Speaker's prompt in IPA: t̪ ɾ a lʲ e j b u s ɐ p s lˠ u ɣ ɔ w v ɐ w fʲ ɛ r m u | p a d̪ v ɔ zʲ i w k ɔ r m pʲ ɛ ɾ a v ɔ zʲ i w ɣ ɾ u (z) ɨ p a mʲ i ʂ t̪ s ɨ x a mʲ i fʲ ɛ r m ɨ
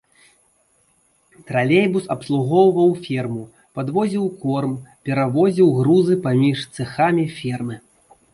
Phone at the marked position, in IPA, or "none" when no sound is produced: z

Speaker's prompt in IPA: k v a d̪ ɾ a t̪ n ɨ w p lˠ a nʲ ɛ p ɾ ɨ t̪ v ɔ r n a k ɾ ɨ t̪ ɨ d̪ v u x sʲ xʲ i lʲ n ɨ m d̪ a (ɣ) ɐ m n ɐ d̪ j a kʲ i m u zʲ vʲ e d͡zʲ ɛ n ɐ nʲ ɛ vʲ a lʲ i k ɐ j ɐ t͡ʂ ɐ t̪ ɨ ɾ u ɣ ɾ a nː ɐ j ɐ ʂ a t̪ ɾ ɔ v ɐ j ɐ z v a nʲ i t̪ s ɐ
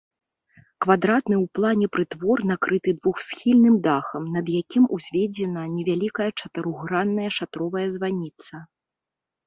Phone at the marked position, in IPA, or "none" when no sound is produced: x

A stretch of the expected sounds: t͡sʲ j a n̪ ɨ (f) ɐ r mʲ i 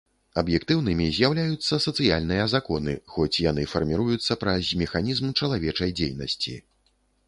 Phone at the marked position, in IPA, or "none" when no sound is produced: f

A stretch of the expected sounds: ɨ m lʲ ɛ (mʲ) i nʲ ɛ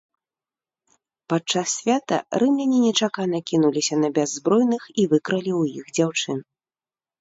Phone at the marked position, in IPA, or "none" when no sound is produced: nʲ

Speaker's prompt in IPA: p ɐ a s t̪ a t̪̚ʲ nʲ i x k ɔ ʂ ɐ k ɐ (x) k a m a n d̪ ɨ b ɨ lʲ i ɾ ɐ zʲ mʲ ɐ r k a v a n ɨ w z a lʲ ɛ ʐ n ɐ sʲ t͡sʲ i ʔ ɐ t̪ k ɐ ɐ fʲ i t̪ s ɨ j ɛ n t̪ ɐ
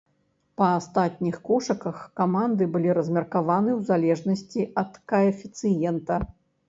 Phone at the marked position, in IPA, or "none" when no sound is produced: x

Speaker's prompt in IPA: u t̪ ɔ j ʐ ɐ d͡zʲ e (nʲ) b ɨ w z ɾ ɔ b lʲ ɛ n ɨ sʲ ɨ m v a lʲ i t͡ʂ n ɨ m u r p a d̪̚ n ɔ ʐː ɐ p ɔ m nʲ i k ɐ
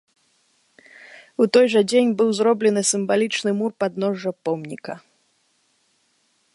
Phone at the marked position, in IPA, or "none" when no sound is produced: nʲ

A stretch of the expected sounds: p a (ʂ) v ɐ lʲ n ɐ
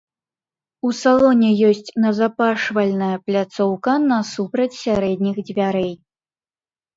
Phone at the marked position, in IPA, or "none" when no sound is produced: ʂ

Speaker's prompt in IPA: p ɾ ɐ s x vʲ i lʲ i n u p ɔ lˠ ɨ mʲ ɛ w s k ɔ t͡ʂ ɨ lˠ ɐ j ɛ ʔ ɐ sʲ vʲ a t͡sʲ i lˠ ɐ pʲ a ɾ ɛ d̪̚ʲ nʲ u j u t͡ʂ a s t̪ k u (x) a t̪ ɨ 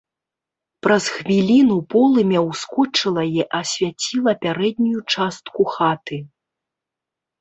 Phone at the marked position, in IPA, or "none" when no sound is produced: x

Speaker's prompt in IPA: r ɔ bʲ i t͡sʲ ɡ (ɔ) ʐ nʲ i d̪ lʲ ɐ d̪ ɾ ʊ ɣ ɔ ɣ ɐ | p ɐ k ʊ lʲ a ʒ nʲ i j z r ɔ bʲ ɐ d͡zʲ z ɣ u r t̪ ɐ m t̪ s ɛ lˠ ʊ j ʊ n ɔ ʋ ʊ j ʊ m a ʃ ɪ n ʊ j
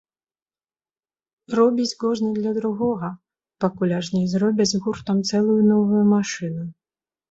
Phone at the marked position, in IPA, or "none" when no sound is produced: ɔ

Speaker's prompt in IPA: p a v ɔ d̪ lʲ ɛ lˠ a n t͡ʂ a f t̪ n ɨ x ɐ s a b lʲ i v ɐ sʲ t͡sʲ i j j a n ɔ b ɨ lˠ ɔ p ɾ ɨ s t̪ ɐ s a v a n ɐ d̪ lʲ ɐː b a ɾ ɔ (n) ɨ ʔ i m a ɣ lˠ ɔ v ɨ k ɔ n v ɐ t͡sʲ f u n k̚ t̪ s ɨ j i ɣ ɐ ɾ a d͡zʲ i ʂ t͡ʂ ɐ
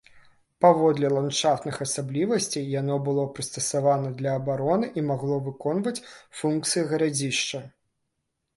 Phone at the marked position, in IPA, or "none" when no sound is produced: n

